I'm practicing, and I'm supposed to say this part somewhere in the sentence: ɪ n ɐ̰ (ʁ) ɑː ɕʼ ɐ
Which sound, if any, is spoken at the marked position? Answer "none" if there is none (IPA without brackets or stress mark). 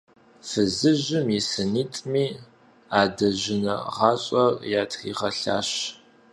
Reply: ʁ